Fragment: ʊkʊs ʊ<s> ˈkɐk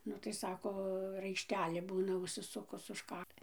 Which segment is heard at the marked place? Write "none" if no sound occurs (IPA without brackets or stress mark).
ʃ